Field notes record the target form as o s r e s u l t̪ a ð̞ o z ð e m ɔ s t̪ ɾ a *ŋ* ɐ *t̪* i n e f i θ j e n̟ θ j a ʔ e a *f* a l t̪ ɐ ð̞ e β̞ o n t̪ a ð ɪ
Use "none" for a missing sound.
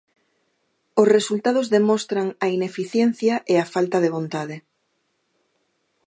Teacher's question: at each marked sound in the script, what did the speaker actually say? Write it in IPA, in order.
ŋ, none, f

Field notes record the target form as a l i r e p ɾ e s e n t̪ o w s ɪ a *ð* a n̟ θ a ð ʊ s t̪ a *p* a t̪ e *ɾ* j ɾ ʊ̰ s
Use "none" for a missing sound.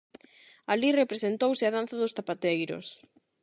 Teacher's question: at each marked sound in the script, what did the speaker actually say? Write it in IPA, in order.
ð, p, none

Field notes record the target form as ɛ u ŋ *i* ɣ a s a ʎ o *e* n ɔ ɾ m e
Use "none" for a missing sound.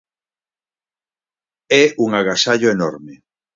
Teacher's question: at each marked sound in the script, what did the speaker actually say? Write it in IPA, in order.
a, e

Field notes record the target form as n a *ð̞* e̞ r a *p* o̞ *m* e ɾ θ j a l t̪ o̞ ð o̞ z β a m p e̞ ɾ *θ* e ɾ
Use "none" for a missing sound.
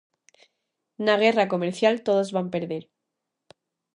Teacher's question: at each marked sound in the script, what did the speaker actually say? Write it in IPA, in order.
ɣ̞, k, m, ð

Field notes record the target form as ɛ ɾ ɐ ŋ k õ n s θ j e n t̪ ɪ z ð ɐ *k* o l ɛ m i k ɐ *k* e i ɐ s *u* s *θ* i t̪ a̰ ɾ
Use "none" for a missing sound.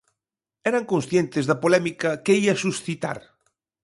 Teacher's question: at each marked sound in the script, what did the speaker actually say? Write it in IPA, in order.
p, k, u, θ

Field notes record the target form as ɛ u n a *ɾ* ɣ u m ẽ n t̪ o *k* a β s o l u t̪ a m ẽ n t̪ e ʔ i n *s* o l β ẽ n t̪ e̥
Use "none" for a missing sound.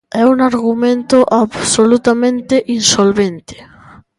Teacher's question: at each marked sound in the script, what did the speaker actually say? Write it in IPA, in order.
ɾ, ʔ, s

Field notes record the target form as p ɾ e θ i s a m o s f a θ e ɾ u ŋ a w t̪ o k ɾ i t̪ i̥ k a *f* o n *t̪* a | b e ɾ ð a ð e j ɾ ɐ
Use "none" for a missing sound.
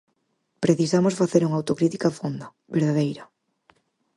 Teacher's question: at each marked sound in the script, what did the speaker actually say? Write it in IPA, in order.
f, d̪

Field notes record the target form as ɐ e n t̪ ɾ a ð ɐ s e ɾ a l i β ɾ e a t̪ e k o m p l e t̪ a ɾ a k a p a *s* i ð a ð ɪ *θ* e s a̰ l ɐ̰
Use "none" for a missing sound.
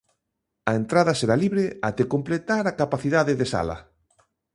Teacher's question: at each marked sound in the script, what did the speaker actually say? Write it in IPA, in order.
θ, ð

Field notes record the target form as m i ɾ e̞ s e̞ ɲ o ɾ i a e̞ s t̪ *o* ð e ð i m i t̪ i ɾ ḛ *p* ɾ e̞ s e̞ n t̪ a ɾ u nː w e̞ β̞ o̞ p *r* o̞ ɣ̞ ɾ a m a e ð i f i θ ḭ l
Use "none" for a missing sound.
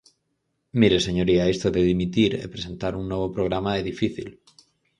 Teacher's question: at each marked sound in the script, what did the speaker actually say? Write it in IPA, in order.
o, p, ɾ

